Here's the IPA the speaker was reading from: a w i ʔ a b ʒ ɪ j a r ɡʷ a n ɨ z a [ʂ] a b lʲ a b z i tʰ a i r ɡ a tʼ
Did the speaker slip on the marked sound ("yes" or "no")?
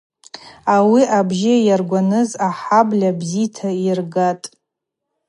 yes